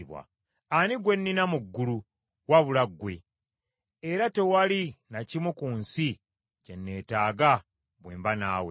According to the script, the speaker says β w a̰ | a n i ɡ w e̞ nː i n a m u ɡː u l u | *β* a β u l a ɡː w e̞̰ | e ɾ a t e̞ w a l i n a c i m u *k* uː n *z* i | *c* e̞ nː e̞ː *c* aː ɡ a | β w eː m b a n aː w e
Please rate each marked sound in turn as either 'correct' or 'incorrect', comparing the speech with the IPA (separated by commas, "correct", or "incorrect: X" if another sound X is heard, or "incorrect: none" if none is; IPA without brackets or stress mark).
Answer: incorrect: w, correct, incorrect: s, correct, incorrect: t